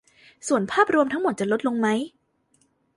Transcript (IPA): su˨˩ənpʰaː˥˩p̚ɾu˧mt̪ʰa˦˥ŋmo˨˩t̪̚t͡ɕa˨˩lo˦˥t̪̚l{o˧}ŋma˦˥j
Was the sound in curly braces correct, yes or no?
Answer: yes